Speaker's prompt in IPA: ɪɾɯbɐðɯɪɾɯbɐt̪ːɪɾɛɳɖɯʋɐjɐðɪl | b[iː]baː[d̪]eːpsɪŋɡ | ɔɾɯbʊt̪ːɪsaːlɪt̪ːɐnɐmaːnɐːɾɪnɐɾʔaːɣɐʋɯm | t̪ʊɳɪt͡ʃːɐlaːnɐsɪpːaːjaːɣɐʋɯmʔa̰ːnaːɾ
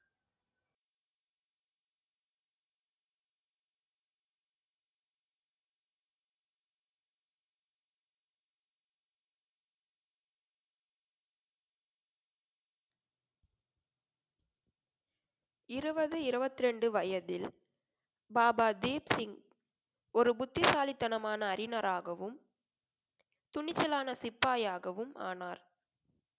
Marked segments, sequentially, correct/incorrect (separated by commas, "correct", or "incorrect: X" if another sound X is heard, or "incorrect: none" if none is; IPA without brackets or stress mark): incorrect: aː, correct